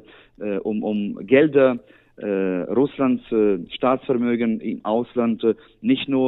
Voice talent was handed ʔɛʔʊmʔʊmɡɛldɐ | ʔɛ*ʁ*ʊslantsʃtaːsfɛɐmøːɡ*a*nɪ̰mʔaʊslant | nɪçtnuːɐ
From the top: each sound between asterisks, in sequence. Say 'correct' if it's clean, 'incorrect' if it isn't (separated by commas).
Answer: correct, incorrect